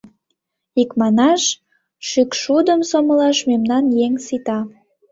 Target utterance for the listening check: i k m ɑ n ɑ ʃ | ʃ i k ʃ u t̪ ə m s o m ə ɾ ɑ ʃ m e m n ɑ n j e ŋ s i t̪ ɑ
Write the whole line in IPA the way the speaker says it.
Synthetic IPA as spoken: i k m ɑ n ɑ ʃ | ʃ y k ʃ u d̪ ə m s o m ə l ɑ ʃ m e m n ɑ n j e ŋ s i t̪ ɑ